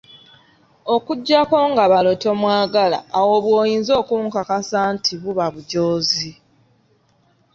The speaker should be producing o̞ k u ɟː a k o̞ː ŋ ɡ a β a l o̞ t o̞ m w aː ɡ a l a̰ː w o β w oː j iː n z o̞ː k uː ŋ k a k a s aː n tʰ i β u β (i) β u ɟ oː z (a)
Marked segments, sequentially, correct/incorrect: incorrect, incorrect

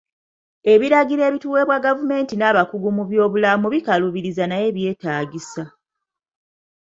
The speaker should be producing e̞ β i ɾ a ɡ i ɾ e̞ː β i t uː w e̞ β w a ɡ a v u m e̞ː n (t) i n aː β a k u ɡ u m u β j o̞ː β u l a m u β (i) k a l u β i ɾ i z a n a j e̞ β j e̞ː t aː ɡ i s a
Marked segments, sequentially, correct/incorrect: correct, correct

